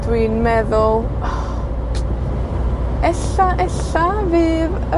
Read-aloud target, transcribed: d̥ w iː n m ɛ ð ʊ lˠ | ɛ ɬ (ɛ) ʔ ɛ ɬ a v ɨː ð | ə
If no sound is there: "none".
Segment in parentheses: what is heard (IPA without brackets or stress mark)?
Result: a